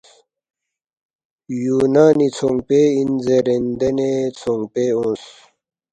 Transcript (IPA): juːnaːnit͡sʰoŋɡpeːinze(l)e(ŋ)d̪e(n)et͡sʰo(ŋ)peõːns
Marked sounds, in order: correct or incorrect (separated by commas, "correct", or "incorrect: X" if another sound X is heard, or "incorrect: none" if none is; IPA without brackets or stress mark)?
incorrect: ɾ, incorrect: n, correct, correct